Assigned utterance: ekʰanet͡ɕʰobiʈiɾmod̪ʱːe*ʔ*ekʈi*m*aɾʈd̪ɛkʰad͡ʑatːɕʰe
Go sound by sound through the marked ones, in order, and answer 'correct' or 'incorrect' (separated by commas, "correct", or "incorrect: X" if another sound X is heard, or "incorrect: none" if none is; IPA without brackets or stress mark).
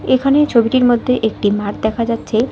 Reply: correct, correct